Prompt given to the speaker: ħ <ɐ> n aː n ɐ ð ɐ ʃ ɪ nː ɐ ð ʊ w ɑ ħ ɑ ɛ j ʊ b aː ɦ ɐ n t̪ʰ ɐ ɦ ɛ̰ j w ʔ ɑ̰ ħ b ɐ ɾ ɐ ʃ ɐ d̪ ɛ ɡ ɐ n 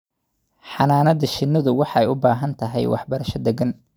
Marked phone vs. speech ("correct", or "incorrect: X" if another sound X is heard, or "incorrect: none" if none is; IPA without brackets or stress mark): incorrect: ɑ